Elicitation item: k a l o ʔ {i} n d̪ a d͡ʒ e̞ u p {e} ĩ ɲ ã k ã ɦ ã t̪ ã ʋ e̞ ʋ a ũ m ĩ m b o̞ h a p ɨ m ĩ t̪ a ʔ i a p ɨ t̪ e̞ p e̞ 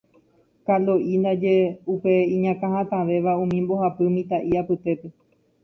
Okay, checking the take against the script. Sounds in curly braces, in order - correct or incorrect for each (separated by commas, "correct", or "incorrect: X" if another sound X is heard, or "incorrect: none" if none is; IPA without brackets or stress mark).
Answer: correct, correct